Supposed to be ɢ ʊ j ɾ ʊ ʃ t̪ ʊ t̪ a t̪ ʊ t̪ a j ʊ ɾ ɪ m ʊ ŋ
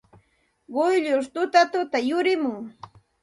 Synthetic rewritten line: ɢ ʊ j ʎ ʊ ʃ t̪ ʊ t̪ a t̪ ʊ t̪ a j ʊ ɾ ɪ m ʊ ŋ